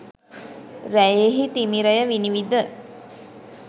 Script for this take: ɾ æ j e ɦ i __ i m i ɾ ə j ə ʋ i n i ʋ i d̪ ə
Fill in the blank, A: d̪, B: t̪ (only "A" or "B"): B